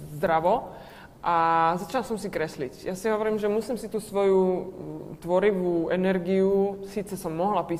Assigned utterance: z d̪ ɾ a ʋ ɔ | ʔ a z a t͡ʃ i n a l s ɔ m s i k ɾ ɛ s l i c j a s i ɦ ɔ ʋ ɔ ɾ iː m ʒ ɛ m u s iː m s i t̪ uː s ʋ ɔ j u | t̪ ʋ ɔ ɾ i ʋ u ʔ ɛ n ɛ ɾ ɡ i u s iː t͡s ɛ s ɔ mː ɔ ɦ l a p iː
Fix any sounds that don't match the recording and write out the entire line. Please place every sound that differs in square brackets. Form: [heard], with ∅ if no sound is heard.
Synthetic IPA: z d̪ ɾ a ʋ ɔ | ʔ a z a t͡ʃ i n a l s ɔ m s i k ɾ ɛ s l i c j a s i ɦ ɔ ʋ ɔ ɾ iː m ʒ ɛ m u s iː m s i t̪ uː s ʋ ɔ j u | t̪ ʋ ɔ ɾ i ʋ u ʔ ɛ n ɛ ɾ ɡ i u s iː t͡s ɛ s ɔ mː ɔ ɦ l a p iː